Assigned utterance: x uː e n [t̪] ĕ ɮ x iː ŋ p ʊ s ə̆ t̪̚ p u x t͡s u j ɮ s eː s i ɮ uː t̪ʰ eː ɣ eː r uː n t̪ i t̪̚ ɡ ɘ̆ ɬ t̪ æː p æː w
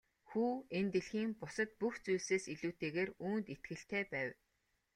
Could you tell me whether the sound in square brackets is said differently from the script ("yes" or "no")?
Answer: no